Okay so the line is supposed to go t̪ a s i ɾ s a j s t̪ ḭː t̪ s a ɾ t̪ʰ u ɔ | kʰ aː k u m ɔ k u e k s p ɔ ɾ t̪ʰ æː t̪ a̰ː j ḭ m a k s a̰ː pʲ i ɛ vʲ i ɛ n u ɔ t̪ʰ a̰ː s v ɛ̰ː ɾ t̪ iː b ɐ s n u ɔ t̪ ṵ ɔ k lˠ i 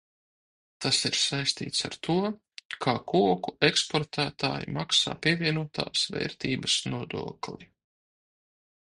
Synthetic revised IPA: t̪ a s i ɾ s a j s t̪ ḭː t̪ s a ɾ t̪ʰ u ɔ | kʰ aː k u ɔ k u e k s p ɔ ɾ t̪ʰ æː t̪ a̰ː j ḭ m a k s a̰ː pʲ i ɛ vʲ i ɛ n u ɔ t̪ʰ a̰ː s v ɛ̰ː ɾ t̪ iː b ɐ s n u ɔ d̪ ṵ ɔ k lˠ i